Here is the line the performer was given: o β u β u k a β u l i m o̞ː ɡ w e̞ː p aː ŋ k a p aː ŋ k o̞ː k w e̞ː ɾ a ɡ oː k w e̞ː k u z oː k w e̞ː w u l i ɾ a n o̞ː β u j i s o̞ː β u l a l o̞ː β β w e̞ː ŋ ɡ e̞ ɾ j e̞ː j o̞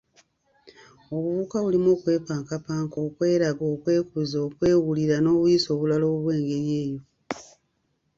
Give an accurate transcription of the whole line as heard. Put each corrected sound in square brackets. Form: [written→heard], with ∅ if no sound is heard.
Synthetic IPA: o β u β u k a β u l i m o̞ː [ɡ→k] w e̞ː p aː ŋ k a p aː ŋ k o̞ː k w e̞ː ɾ a ɡ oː k w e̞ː k u z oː k w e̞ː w u l i ɾ a n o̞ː β u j i s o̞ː β u l a l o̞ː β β w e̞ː ŋ ɡ e̞ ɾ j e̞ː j o̞